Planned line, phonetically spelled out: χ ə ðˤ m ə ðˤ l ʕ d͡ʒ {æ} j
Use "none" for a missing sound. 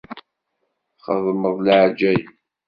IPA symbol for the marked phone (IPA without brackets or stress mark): æ